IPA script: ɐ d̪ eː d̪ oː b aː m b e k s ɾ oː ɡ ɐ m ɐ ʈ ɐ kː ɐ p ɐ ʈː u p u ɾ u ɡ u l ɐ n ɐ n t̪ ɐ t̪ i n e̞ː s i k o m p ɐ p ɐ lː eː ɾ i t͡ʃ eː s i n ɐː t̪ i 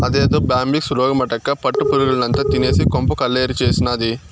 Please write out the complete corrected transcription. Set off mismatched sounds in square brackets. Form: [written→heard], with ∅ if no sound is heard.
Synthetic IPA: ɐ d̪ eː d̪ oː b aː m b [e→i] k s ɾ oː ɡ ɐ m ɐ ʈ ɐ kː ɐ p ɐ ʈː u p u ɾ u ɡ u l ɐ n ɐ n t̪ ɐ t̪ i n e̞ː s i k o m p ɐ [p→k] ɐ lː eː ɾ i t͡ʃ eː s i n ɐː [t̪→d̪] i